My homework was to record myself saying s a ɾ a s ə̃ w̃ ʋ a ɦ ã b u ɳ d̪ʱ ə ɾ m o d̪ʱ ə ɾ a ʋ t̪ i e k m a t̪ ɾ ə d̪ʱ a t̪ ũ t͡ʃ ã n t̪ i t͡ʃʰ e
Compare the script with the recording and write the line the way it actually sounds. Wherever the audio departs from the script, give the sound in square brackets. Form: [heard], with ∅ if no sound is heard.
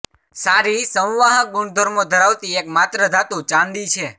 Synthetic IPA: s a ɾ [i] s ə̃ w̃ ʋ a ɦ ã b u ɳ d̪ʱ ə ɾ m o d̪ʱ ə ɾ a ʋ t̪ i e k m a t̪ ɾ ə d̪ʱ a t̪ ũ t͡ʃ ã n [d̪] i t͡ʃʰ e